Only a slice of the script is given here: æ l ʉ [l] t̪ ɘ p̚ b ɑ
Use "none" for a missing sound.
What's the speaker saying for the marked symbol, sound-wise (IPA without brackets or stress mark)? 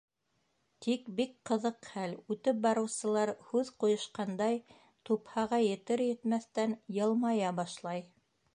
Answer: none